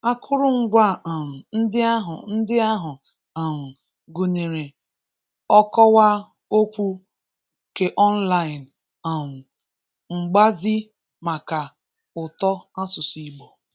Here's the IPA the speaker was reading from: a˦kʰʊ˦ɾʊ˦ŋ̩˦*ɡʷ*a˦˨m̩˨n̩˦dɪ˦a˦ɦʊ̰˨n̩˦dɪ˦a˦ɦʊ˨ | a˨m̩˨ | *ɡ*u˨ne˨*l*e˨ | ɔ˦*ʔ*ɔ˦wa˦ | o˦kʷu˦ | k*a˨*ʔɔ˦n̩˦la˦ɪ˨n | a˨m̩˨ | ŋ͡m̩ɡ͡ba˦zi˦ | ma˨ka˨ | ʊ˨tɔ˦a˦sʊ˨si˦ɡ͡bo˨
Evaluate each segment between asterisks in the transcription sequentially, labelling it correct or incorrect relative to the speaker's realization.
correct, correct, incorrect: ɾ, incorrect: k, incorrect: e˨

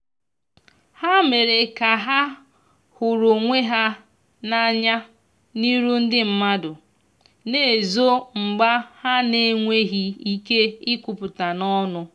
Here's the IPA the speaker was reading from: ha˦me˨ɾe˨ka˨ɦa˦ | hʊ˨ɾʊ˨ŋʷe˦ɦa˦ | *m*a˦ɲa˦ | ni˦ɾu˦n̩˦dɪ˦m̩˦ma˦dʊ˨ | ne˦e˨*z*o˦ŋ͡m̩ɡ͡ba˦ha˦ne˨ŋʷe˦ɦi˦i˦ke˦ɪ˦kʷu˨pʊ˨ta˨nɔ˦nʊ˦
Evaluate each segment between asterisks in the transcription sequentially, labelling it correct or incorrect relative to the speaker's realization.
incorrect: n, correct

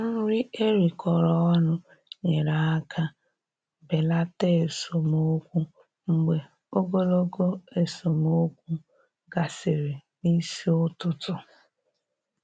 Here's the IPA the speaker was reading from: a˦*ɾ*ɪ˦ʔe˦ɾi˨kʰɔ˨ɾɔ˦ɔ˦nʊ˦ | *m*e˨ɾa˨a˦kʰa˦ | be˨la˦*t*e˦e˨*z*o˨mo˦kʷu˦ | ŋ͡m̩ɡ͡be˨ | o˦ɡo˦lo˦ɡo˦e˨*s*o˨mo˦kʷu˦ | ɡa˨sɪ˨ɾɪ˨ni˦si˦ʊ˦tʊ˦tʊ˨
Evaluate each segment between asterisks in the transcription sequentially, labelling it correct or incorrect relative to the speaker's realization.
correct, incorrect: ɲ, correct, incorrect: s, correct

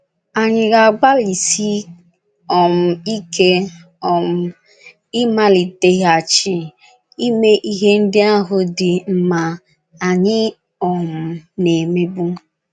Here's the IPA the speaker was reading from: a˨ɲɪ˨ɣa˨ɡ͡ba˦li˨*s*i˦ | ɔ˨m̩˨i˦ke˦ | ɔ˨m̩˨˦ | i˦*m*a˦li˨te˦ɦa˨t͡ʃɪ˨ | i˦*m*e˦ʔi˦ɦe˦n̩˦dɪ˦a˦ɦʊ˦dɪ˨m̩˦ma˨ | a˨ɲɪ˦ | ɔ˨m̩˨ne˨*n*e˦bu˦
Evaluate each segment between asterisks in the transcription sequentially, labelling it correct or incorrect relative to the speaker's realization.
correct, correct, correct, incorrect: m

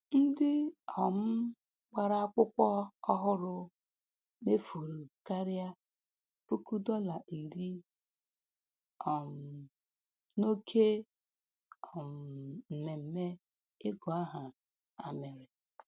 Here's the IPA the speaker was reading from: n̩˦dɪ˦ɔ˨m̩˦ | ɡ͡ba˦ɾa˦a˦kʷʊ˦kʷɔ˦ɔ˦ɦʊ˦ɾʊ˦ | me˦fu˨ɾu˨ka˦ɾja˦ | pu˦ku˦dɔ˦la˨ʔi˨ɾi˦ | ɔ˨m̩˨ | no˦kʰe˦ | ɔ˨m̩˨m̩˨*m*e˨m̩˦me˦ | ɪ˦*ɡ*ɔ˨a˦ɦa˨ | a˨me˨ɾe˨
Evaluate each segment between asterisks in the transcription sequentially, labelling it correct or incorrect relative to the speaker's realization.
correct, correct

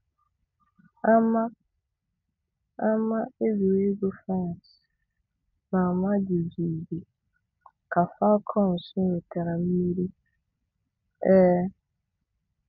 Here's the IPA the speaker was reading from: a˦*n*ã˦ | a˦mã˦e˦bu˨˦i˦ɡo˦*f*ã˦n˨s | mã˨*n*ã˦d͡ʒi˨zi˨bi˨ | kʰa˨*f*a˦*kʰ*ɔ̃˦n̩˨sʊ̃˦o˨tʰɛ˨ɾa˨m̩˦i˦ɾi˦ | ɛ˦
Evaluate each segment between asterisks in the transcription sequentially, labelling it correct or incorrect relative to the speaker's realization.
incorrect: m, correct, incorrect: m, correct, correct

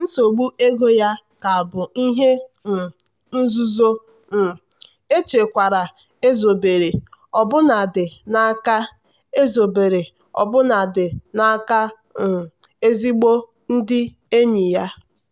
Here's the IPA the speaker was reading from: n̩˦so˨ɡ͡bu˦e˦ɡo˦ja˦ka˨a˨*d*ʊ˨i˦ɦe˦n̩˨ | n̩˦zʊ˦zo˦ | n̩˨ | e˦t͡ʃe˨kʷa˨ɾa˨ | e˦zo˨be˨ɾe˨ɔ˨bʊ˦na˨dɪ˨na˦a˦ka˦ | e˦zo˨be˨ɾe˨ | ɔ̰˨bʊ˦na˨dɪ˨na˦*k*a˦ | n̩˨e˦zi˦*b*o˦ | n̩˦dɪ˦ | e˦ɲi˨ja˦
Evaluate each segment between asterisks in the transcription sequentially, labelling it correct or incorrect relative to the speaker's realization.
incorrect: b, correct, incorrect: ɡ͡b

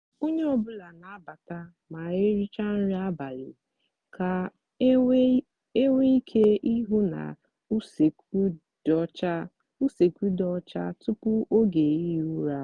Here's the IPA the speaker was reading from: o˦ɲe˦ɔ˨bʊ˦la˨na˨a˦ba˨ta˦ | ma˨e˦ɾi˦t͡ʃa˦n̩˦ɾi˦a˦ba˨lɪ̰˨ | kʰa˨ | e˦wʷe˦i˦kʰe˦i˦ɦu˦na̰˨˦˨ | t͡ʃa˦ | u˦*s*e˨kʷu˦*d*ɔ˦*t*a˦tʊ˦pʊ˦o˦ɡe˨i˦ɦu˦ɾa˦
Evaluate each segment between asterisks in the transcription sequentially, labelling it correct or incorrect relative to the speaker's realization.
correct, correct, incorrect: t͡ʃ

